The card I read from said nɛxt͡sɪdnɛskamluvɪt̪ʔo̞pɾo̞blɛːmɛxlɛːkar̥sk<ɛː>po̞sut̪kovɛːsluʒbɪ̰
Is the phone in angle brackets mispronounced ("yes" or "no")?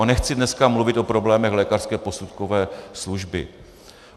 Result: no